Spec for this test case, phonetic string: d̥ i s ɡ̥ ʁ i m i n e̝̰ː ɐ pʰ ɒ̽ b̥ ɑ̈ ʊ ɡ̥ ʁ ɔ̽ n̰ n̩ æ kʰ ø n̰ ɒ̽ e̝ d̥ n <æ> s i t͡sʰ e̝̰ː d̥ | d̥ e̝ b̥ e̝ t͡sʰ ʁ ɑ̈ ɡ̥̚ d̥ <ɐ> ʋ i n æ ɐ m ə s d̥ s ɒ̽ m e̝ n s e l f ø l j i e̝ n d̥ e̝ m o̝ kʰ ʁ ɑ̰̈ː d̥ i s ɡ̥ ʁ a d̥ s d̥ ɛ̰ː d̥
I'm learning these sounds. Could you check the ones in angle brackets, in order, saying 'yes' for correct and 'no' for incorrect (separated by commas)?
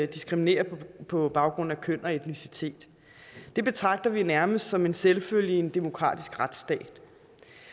no, yes